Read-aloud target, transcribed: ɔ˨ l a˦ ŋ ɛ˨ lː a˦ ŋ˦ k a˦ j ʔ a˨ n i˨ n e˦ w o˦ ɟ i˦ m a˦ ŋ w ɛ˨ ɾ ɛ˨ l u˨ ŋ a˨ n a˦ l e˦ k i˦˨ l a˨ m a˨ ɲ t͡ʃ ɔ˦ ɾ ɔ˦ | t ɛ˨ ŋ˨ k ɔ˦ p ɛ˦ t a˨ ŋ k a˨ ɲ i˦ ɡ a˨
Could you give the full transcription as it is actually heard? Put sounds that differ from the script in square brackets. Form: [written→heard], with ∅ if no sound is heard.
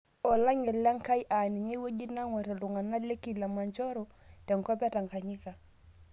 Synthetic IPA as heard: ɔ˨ l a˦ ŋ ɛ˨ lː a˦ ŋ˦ k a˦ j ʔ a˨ n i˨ [n→ɲ] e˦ w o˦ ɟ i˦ [m→n] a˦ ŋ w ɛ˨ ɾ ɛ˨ l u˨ ŋ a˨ n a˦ l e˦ k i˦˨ l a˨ m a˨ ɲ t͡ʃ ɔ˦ ɾ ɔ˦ | t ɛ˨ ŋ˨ k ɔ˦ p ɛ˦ t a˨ ŋ k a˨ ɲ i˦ [ɡ→k] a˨

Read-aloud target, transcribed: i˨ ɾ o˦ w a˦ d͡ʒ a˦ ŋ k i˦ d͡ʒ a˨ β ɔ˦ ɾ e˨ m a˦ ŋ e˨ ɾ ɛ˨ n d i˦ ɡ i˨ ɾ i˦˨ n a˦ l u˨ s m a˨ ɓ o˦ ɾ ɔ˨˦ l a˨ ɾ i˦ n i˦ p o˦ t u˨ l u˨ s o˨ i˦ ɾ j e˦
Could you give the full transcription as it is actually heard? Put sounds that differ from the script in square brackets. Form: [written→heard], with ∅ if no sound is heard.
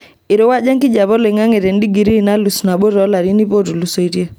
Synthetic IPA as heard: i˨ ɾ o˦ w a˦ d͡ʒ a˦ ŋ k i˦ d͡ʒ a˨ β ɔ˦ [ɾ→l] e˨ [m→ŋ] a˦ ŋ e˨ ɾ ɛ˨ n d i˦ ɡ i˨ ɾ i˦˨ n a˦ l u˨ s [m→n] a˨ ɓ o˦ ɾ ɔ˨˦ l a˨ ɾ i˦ n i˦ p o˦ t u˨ l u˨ s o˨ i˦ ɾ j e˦

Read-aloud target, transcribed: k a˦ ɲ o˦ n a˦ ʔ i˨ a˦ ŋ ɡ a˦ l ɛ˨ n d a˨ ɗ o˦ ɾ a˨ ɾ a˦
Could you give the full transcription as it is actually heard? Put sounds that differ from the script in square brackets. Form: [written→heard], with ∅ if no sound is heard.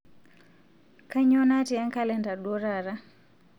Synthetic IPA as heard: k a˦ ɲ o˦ n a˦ [ʔ→t] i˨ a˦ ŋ [ɡ→k] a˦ l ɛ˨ n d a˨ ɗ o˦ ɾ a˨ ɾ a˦

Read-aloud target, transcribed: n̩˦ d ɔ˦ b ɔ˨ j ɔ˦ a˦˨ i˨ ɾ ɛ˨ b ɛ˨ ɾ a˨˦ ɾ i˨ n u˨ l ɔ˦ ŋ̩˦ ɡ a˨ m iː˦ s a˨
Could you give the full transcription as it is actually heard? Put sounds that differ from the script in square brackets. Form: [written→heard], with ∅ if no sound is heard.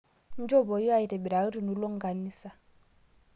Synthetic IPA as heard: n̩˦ [d→d͡ʒ] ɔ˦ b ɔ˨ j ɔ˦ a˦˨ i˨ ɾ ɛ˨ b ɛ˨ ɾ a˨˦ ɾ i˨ n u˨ l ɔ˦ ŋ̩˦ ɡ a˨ [m→n] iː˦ s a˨

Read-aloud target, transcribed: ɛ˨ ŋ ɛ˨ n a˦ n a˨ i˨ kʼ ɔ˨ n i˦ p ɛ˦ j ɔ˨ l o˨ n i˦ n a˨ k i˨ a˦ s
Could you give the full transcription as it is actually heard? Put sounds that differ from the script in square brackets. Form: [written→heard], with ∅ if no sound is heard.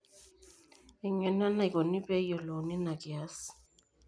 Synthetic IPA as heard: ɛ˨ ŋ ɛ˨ n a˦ n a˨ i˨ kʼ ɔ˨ n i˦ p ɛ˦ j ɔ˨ l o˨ n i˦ n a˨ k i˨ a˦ s

